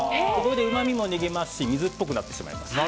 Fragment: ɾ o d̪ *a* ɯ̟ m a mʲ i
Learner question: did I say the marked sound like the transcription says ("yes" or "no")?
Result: no